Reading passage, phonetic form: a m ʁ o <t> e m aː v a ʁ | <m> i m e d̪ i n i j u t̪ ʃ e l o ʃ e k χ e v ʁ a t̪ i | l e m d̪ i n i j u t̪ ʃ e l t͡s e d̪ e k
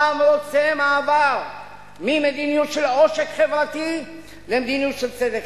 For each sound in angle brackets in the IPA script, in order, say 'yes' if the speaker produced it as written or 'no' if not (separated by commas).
no, yes